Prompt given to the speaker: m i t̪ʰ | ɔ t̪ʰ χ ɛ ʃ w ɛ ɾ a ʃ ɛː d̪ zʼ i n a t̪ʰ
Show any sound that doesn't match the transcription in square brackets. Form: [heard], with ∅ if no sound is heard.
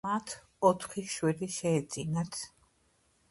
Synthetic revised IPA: m [a] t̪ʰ | ɔ t̪ʰ χ [i] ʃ w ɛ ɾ [i] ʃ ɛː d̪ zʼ i n a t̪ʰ